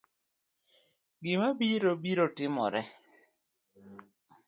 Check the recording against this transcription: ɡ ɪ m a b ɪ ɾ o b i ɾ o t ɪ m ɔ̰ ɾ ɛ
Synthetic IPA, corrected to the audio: ɡ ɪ m a b i ɾ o b i ɾ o t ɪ m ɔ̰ ɾ ɛ